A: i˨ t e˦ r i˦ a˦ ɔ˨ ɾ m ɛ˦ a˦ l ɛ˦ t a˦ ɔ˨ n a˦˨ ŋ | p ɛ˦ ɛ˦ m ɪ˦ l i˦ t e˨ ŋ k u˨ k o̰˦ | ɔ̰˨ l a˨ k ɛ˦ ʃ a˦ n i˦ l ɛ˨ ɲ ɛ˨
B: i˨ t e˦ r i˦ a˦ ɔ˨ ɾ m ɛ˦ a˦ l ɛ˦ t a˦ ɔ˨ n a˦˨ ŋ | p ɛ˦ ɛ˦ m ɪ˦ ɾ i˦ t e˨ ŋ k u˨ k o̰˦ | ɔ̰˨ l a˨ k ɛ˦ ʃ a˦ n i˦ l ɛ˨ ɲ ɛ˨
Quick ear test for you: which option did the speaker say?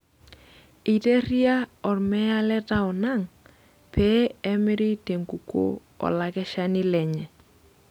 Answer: B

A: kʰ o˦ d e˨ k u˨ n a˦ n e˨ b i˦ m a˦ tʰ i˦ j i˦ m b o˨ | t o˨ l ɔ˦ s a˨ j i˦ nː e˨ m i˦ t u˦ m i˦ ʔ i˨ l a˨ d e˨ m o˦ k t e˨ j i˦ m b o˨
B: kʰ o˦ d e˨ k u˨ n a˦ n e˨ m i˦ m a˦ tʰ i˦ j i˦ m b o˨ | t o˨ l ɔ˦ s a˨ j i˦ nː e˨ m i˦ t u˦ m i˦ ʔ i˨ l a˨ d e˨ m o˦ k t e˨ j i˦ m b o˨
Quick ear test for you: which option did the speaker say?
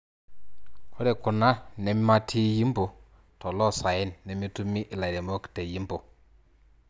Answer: B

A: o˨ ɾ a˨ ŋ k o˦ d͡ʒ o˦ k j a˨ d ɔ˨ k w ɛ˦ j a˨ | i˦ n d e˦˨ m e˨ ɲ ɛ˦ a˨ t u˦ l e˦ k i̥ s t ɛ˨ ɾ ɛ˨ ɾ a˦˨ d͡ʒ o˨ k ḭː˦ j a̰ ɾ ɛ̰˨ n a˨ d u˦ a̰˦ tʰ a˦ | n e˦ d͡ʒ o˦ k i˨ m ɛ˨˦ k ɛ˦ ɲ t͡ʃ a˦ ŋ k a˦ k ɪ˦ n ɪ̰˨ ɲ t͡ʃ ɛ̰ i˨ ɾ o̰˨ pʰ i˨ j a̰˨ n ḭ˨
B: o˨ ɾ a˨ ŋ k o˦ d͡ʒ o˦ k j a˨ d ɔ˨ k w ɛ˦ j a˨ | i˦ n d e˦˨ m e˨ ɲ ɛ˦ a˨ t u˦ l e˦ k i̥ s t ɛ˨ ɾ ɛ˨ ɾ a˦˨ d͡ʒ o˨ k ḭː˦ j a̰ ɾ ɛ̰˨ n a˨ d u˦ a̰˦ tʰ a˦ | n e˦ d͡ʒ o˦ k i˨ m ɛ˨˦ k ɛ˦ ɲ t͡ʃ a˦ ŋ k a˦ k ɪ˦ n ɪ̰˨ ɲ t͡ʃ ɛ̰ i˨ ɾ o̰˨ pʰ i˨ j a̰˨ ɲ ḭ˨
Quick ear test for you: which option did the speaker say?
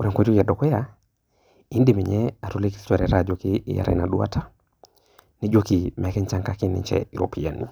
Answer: A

